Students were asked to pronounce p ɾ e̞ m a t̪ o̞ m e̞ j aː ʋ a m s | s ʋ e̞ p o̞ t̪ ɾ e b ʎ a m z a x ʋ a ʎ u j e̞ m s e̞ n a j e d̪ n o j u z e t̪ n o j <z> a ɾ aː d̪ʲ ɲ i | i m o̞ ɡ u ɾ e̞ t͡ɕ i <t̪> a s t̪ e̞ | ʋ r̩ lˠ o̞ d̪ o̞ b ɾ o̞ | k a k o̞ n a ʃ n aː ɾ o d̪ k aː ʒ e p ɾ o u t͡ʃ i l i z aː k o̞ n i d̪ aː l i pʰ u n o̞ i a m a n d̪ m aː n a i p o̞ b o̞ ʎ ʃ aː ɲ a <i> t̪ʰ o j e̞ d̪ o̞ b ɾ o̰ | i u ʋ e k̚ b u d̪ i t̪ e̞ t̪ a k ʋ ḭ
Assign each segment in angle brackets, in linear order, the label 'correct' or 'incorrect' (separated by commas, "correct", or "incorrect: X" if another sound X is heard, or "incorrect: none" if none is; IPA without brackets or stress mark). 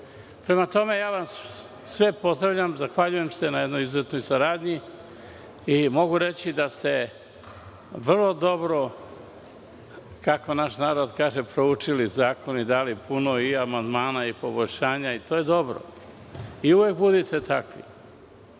incorrect: s, incorrect: d̪, correct